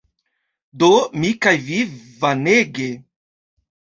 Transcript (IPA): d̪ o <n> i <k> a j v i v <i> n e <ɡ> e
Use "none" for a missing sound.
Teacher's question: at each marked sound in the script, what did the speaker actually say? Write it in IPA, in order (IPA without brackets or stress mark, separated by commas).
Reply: m, k, a, ɡ